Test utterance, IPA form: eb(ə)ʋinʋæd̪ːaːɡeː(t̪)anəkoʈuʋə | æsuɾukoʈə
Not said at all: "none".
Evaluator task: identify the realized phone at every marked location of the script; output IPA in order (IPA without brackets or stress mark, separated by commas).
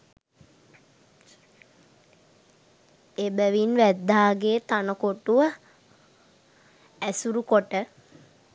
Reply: ə, t̪